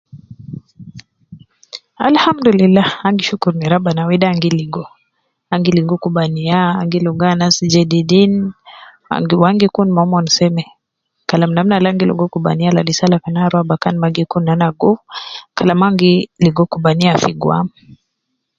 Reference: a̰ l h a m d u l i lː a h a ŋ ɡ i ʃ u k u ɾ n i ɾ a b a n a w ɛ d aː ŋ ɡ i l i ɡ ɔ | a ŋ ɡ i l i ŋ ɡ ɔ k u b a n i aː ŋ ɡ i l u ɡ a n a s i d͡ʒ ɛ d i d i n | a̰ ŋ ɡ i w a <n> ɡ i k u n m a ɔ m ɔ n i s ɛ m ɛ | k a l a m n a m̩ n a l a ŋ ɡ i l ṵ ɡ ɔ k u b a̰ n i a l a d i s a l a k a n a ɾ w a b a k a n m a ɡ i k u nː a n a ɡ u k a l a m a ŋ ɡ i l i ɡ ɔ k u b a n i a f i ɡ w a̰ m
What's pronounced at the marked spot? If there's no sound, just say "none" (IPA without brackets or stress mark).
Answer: ŋ